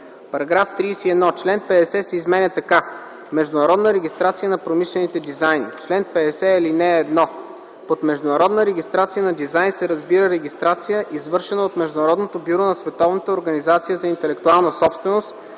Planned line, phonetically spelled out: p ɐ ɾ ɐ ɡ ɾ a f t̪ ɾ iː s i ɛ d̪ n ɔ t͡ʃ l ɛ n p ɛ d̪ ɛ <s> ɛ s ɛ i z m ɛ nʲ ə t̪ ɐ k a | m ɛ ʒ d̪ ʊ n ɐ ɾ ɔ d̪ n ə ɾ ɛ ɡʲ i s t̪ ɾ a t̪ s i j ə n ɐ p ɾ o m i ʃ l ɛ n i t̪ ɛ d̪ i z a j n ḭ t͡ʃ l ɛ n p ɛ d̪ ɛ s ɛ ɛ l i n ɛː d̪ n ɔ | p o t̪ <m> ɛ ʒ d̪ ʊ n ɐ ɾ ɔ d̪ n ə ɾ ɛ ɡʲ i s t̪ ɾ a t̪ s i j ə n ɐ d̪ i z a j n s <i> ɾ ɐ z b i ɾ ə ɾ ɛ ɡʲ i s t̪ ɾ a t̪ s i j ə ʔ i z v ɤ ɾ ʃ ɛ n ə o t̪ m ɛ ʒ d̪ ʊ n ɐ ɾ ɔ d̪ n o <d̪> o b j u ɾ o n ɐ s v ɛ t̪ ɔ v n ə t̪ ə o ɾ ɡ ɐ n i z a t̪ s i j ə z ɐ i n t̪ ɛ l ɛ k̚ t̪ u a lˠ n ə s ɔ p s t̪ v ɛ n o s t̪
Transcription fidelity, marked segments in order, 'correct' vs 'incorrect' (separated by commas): correct, correct, incorrect, incorrect